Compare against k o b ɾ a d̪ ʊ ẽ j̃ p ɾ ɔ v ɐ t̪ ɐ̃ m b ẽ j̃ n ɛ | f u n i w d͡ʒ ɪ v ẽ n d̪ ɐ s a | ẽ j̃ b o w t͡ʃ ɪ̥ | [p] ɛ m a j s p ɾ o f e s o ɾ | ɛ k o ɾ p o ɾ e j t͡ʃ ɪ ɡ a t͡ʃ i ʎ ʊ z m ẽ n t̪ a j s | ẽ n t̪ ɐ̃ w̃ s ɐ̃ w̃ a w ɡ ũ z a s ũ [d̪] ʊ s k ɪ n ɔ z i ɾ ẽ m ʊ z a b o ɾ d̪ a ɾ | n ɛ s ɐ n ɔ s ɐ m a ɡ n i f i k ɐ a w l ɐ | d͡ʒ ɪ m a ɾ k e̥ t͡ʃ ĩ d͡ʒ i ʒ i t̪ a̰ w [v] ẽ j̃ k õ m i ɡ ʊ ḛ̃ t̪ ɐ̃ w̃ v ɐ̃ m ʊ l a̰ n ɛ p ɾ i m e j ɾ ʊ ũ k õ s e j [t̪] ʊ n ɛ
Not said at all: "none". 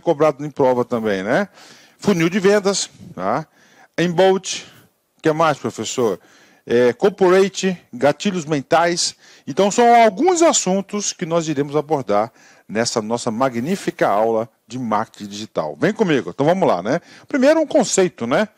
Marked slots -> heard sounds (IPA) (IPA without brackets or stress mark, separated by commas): k, t̪, v, t̪